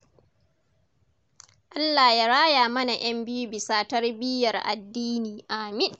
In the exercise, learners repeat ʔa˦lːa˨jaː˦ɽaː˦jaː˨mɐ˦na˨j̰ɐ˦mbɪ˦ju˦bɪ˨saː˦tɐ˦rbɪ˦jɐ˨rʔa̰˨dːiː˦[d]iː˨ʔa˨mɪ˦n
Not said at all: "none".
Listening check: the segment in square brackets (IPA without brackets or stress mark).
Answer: n